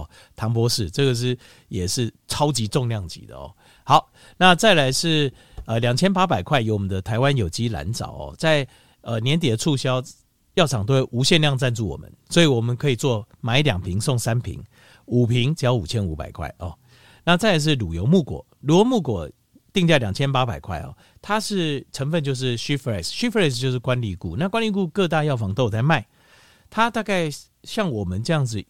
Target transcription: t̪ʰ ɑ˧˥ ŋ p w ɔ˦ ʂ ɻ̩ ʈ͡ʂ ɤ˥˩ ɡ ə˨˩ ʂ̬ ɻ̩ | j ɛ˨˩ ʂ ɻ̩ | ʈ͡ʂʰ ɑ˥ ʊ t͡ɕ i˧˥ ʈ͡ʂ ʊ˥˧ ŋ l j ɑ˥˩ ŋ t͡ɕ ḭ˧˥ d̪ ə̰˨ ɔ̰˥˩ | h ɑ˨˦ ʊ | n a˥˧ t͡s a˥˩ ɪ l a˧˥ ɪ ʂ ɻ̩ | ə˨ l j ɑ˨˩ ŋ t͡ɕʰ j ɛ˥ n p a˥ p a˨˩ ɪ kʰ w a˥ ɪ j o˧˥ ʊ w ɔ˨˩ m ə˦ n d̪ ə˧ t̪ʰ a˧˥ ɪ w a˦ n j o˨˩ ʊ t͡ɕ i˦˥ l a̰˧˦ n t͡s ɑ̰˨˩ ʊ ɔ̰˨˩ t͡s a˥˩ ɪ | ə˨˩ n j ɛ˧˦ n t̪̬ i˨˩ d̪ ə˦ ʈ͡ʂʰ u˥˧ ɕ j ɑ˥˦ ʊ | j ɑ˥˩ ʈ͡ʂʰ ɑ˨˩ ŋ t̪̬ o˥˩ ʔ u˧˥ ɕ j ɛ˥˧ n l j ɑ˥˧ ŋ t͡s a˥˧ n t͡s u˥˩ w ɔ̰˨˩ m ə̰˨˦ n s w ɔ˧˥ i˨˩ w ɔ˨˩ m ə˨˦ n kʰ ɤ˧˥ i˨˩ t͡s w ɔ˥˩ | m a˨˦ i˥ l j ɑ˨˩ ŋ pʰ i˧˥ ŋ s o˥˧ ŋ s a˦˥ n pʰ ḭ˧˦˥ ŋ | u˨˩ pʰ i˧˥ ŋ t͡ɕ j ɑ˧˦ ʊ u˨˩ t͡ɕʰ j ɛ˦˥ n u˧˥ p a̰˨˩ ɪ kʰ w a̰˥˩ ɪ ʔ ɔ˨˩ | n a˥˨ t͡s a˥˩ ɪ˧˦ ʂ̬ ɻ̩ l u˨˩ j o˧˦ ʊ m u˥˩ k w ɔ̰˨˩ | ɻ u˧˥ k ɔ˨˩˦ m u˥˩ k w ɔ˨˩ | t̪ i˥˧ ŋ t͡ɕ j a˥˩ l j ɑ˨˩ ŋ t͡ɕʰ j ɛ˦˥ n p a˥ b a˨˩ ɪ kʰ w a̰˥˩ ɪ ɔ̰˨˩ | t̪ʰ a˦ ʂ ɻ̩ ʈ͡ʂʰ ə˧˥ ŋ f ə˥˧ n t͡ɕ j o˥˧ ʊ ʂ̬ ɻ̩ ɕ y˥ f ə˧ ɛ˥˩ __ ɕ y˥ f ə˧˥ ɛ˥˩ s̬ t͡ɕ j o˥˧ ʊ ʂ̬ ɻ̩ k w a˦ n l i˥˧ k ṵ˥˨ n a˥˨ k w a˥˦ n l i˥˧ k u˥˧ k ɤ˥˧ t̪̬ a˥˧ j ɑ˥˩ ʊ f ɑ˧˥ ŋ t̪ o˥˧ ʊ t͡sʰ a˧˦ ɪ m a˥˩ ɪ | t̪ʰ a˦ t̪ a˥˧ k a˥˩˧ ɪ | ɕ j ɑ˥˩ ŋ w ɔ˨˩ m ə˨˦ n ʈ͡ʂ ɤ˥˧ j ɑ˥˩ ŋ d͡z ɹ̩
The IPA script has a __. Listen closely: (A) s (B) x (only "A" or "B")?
A